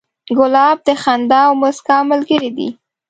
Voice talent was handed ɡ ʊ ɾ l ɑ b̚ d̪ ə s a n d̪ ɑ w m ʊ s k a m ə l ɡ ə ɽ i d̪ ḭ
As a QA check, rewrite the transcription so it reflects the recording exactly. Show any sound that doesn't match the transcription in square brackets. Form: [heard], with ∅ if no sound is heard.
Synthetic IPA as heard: ɡ ʊ [∅] l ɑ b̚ d̪ ə [x] a n d̪ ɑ w m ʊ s k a m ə l ɡ ə [ɾ] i d̪ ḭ